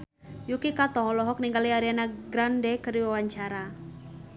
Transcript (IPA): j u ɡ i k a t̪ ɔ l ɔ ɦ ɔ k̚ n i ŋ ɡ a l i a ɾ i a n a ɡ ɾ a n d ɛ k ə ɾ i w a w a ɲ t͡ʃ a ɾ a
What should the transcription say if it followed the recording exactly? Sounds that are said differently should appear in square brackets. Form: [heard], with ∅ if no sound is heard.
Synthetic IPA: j u [k] i k a t̪ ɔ l ɔ ɦ ɔ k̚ n i ŋ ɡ a l i a ɾ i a n a ɡ ɾ a n d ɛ k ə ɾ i w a w a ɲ t͡ʃ a ɾ a